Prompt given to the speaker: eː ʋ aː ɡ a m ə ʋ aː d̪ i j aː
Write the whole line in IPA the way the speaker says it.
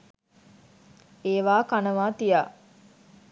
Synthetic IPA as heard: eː ʋ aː k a n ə ʋ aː t̪ i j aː

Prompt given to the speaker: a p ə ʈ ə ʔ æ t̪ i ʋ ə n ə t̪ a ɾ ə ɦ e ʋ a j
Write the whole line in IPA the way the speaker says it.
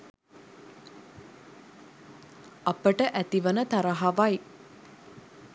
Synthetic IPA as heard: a p ə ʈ ə ʔ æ t̪ i ʋ ə n ə t̪ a ɾ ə ɦ a ʋ a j

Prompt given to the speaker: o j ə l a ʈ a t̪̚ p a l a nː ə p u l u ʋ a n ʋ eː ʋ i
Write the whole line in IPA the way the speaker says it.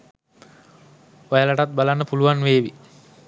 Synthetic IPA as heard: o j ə l a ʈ a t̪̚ b a l a nː ə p u l u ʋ a n ʋ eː ʋ i

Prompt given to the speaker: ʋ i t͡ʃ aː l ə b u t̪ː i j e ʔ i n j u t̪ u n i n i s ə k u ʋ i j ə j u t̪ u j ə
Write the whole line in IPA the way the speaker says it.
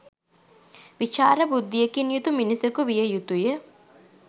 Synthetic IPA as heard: ʋ i t͡ʃ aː ɾ ə b u d̪ː i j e k i n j u t̪ u m i n i s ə k u ʋ i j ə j u t̪ u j ə

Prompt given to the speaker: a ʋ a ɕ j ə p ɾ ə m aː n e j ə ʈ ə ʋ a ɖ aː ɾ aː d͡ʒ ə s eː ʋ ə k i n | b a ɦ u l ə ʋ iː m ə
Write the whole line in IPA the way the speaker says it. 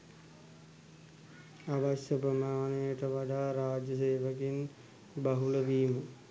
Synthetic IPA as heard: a ʋ a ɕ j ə p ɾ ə m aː n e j ə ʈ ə ʋ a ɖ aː ɾ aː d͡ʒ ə s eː ʋ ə k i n | b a ɦ u l ə ʋ iː m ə

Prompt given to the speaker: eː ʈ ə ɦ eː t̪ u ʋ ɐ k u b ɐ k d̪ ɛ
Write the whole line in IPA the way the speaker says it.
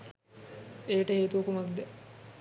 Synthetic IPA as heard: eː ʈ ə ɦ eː t̪ u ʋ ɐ k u m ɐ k d̪ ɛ

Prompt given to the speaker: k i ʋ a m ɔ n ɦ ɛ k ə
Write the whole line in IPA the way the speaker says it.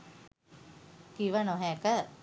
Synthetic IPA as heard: k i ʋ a n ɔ ɦ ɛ k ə

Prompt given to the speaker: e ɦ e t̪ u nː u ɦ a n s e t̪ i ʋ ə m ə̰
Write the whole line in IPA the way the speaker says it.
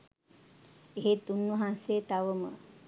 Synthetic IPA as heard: e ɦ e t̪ u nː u ɦ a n s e t̪ a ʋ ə m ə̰

